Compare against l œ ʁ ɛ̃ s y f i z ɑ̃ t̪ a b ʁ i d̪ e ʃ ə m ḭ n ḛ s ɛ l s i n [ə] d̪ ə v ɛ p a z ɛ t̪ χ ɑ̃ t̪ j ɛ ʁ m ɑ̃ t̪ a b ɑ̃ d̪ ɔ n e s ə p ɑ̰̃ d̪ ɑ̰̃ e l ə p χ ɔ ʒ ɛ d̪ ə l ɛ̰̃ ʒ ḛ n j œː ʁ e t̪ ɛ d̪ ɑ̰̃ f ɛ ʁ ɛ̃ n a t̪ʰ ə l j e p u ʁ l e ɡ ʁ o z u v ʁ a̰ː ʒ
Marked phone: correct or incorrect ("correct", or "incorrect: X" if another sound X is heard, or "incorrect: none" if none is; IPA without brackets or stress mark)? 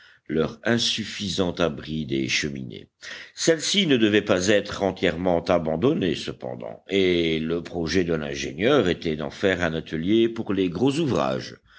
correct